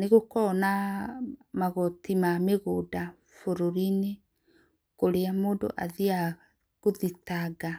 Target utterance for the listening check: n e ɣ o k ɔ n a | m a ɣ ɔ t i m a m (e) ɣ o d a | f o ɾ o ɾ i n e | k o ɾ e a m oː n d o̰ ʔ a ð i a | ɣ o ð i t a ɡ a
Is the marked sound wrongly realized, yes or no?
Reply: no